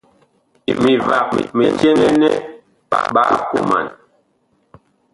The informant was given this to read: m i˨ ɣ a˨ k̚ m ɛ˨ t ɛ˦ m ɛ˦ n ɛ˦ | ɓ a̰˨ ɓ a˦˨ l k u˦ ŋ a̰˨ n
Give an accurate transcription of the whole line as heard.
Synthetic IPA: m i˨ v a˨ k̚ m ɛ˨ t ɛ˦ n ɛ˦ n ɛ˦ | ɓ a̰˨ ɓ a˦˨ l k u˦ m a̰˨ n